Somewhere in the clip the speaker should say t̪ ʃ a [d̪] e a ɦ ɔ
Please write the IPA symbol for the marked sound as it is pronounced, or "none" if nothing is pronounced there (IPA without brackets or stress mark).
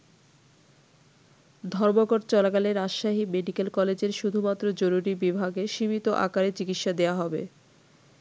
d̪